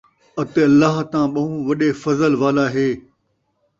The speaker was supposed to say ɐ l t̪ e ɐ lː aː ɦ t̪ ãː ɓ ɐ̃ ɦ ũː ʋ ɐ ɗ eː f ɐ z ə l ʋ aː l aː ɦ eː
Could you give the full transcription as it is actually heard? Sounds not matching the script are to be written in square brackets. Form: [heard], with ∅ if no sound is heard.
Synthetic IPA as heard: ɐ [∅] t̪ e ɐ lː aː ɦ t̪ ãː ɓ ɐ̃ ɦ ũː ʋ ɐ ɗ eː f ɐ z ə l ʋ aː l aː ɦ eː